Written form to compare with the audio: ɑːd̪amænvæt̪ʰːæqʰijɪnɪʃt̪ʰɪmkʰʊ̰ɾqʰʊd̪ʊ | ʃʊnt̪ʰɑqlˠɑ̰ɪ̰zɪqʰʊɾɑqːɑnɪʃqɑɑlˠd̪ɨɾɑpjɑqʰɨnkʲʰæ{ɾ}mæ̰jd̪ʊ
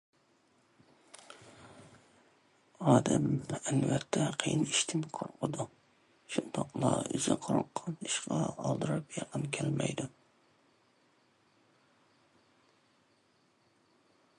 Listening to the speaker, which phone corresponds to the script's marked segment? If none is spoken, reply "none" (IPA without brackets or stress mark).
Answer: l